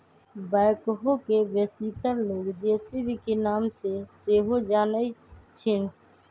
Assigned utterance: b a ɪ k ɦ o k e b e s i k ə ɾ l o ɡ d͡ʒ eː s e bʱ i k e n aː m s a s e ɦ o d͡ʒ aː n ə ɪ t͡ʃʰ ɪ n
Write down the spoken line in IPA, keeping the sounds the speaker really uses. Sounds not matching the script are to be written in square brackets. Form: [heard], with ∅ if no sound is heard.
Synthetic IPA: b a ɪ k ɦ o k e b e s i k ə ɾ l o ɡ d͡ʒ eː s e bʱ i k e n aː m s [e] s e ɦ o d͡ʒ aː n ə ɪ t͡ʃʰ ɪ n